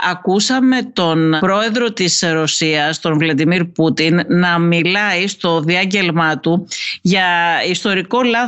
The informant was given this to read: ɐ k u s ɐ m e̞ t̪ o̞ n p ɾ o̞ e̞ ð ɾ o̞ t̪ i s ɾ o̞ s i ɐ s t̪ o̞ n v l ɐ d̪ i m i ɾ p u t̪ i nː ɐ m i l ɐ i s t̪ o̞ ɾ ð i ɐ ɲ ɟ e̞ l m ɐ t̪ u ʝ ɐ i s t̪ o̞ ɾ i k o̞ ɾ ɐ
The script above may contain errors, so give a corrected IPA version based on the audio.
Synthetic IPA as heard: ɐ k u s ɐ m e̞ t̪ o̞ n p ɾ o̞ e̞ ð ɾ o̞ t̪ i s ɾ o̞ s i ɐ s t̪ o̞ n v l ɐ d̪ i m i ɾ p u t̪ i nː ɐ m i l ɐ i s t̪ o̞ ð i ɐ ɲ ɟ e̞ l m ɐ t̪ u ʝ ɐ i s t̪ o̞ ɾ i k o̞ l ɐ